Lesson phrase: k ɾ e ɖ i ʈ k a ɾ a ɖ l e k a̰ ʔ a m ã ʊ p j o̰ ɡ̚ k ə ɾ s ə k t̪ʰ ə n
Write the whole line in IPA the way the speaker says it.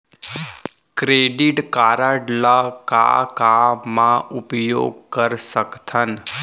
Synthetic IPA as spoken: k ɾ e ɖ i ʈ k a ɾ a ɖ l a k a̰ k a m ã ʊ p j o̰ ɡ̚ k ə ɾ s ə k t̪ʰ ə n